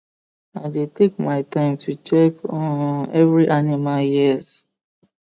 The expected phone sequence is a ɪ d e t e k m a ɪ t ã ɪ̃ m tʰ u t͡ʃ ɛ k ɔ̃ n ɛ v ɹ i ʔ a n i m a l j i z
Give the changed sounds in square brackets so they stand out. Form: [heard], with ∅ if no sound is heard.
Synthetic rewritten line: a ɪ d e t e k m a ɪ t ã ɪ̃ m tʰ u t͡ʃ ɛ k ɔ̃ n ɛ v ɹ i ʔ a n i m a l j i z